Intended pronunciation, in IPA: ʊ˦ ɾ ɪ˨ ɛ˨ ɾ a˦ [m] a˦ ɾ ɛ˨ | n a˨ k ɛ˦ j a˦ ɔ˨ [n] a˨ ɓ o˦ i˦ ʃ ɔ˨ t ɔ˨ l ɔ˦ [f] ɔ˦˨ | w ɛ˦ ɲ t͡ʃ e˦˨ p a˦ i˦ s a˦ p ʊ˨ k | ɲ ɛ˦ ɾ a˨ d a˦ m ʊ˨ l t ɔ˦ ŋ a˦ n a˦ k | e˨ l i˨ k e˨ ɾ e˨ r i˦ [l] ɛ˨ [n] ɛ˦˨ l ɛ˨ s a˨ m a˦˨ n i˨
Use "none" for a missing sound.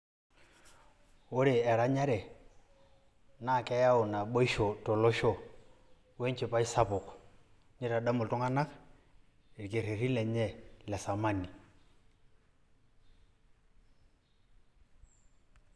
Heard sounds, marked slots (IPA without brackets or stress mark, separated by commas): ɲ, n, ʃ, l, ɲ